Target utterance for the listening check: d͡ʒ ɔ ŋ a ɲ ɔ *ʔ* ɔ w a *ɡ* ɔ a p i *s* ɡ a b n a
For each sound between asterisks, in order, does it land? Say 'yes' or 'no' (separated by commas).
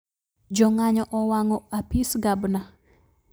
yes, no, yes